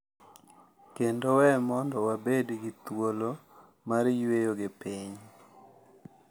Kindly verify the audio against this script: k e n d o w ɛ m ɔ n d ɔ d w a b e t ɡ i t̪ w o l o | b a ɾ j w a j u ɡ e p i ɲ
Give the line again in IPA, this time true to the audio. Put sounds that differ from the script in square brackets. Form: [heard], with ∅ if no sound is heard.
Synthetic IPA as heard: k e n d o w ɛ m ɔ n d ɔ [∅] w a b e [d] ɡ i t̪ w o l o | [m] a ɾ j w [e] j [o] ɡ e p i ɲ